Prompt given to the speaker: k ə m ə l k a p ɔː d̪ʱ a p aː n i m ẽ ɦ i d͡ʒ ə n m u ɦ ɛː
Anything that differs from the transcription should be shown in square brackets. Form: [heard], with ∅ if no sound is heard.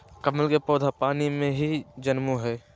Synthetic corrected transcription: k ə m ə l k [e] p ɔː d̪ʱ a p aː n i m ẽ ɦ i d͡ʒ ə n m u ɦ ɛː